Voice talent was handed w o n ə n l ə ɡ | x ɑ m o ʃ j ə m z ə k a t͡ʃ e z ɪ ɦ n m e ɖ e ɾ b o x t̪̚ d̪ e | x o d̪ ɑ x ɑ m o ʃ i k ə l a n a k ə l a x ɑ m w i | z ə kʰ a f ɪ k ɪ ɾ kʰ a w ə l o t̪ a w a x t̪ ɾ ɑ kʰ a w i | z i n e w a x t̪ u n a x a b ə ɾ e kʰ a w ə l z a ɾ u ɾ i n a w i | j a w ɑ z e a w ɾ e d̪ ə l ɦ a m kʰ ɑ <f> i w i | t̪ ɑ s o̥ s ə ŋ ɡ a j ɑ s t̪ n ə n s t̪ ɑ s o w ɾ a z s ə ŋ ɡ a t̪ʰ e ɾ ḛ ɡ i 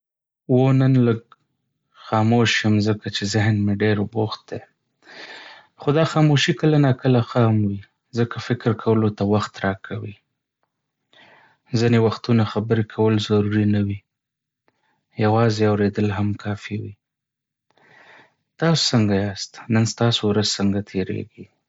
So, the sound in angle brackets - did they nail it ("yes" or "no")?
yes